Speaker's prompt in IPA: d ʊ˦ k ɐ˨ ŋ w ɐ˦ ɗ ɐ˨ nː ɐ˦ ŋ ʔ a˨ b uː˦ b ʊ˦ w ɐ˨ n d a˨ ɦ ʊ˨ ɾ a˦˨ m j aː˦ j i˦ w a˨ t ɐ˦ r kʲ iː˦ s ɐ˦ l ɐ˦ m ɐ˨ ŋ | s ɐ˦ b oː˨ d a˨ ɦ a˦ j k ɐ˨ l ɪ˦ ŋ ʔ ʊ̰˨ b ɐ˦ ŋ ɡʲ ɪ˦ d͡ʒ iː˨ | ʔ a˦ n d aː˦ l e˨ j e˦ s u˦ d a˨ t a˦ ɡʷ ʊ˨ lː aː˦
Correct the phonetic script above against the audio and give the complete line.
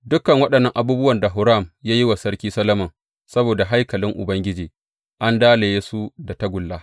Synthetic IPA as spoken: d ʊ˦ k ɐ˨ ŋ w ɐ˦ ɗ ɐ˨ nː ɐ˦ ŋ ʔ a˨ b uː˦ b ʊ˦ w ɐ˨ n d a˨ ɦ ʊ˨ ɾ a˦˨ m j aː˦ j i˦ w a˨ s ɐ˦ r kʲ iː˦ s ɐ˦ l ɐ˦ m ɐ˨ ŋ | s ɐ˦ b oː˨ d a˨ ɦ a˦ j k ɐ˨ l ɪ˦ ŋ ʔ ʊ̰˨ b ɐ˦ ŋ ɡʲ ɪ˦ d͡ʒ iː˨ | ʔ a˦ n d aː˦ l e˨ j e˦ s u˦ d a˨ t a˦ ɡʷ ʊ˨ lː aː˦